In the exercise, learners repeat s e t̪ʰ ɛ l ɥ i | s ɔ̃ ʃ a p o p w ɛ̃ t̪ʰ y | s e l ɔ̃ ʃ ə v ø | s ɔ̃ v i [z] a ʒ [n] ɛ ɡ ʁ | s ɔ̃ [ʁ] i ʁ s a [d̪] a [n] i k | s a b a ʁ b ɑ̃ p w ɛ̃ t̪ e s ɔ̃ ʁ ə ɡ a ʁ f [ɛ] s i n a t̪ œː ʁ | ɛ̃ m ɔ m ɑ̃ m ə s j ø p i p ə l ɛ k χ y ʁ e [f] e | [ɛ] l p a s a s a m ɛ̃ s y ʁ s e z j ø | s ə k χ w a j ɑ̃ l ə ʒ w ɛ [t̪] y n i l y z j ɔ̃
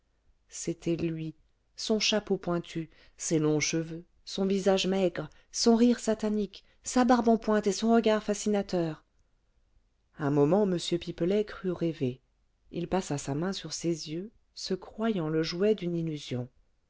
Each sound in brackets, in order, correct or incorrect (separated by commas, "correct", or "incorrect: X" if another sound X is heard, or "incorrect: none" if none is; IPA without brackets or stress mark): correct, incorrect: m, correct, incorrect: t̪, correct, incorrect: a, incorrect: v, incorrect: i, incorrect: d̪